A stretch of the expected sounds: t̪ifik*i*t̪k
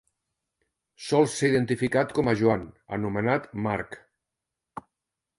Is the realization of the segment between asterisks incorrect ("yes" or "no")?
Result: yes